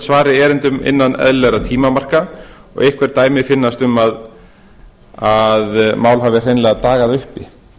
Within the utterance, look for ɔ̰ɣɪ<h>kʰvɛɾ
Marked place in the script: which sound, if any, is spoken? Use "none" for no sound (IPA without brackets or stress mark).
h